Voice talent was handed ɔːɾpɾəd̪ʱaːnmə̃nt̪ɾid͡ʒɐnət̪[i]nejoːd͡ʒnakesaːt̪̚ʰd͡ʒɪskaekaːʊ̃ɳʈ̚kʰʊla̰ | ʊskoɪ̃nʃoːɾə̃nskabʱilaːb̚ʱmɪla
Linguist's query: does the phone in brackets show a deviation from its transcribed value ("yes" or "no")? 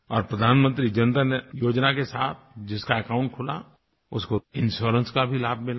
yes